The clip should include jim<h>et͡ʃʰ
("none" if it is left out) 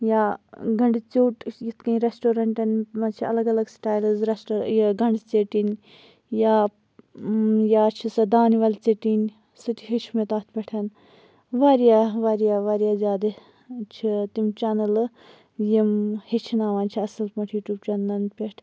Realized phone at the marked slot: h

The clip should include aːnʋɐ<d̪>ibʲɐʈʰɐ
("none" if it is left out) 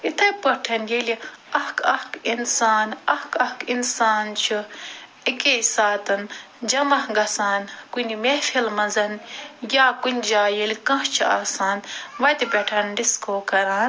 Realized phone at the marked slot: t̪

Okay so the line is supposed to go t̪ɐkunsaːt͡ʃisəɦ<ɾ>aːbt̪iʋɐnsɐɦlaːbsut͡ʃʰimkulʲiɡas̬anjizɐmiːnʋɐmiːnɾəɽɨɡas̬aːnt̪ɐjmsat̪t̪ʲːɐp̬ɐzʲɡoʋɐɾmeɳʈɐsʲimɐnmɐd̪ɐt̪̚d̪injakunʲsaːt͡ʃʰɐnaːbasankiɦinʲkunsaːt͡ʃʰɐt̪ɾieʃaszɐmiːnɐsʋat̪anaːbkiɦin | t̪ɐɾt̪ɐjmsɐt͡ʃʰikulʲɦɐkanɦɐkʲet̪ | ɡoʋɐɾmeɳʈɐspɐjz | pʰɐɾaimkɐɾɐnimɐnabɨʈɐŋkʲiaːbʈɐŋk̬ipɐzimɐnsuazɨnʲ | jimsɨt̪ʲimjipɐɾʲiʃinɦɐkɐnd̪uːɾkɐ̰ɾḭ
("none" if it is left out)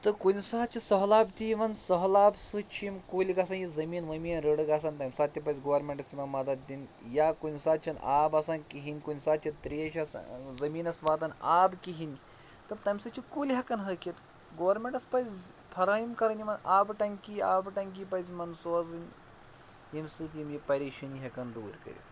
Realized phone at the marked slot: l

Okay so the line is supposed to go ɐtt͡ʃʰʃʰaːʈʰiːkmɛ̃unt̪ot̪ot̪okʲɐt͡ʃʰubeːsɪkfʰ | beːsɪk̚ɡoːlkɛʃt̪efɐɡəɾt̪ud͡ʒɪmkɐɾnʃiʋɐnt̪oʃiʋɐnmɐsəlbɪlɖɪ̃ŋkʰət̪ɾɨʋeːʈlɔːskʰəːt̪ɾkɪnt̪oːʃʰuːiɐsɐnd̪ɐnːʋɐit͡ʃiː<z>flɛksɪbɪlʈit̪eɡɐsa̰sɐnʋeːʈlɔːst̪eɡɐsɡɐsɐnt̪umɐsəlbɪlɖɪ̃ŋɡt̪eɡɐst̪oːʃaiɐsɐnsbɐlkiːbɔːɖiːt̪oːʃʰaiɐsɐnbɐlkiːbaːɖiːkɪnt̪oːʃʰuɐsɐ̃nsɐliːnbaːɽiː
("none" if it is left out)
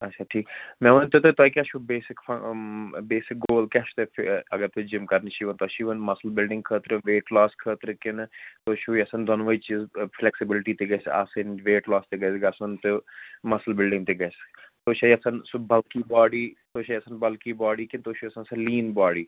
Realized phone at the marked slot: z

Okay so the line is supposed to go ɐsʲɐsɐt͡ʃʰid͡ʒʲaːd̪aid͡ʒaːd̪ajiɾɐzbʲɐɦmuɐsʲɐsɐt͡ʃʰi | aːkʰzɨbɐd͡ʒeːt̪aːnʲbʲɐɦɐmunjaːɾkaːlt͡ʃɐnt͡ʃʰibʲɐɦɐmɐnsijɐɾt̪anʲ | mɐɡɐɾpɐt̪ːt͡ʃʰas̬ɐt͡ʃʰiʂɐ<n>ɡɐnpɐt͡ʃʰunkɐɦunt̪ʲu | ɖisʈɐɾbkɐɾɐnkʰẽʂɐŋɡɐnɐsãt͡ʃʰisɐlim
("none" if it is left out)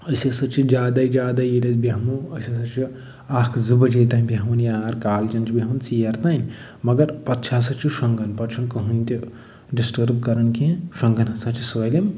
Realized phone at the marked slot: ŋ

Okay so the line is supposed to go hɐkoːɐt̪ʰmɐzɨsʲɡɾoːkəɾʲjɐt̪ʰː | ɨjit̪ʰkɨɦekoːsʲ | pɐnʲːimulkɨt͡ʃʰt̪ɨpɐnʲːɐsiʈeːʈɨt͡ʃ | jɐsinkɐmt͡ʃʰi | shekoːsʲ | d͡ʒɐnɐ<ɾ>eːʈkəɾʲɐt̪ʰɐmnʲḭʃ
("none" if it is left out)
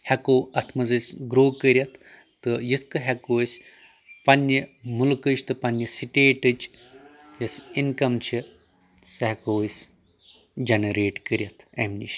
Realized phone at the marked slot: ɾ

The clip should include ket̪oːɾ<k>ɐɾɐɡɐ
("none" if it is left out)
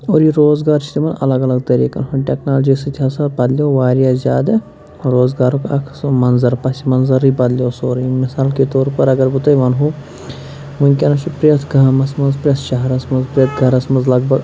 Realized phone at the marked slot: p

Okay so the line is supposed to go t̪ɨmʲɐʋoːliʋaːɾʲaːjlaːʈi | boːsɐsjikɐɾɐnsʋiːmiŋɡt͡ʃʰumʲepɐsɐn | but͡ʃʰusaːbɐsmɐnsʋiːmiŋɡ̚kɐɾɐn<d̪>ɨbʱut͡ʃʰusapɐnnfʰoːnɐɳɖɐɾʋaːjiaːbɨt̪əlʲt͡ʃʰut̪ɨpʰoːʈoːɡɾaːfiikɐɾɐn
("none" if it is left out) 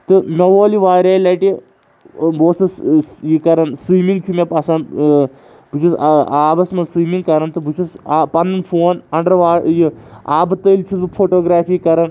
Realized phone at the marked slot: t̪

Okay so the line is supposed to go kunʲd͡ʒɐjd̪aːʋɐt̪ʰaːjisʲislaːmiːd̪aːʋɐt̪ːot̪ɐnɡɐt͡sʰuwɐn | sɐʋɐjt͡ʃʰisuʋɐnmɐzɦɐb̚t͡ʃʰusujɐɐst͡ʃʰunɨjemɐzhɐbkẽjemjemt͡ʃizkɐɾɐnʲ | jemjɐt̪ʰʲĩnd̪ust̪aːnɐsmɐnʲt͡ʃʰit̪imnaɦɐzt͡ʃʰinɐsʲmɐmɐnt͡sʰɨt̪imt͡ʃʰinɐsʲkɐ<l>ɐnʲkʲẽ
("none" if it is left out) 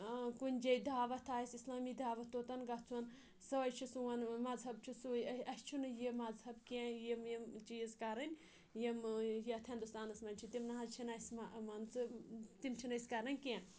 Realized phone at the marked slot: ɾ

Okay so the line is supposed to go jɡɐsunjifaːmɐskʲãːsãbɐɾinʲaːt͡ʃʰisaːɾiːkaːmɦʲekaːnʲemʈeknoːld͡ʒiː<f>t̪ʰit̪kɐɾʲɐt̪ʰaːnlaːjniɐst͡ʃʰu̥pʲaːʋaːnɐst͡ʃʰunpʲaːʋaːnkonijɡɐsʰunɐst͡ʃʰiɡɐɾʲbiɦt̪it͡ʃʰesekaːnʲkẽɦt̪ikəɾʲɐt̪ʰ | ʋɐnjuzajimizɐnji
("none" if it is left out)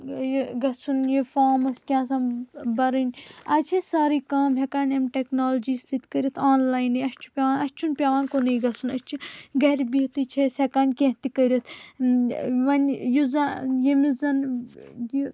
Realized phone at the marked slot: s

